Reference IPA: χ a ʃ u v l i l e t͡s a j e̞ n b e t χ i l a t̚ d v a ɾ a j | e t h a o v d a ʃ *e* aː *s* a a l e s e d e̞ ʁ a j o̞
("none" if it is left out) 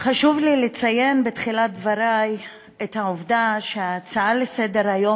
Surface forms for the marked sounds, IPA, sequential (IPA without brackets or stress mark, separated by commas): e, t͡s